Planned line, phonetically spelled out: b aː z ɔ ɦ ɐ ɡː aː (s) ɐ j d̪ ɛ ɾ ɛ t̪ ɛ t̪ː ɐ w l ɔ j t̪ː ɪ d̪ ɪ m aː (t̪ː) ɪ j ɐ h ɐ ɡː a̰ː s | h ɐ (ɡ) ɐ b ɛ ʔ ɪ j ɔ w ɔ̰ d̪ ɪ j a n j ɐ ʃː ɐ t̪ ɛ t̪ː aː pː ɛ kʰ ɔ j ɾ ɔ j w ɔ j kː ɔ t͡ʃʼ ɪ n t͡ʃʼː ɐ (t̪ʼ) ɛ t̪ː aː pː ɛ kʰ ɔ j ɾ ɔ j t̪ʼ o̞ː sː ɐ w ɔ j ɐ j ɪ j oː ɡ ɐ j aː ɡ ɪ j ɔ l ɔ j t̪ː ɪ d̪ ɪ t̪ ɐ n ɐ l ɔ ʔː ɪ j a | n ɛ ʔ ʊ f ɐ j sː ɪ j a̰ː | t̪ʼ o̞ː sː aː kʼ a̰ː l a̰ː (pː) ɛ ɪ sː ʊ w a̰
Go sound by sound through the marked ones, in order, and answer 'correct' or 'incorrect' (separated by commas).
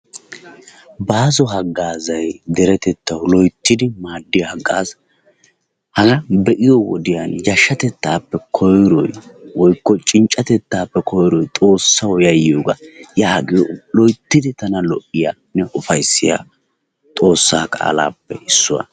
incorrect, incorrect, correct, incorrect, correct